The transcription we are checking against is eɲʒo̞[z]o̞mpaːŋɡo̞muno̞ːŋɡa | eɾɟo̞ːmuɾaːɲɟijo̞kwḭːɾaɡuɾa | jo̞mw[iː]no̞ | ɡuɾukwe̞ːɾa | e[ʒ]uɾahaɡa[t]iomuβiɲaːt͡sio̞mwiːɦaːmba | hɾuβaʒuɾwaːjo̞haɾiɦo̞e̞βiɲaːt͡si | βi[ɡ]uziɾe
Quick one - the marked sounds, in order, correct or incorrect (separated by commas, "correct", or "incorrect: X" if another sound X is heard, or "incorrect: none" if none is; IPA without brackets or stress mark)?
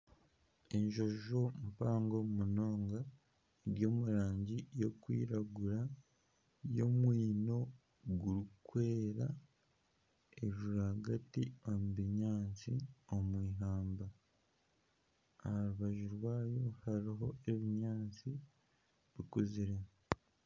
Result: incorrect: ʒ, correct, correct, correct, incorrect: k